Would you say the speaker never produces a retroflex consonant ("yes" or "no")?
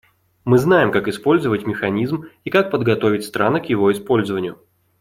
yes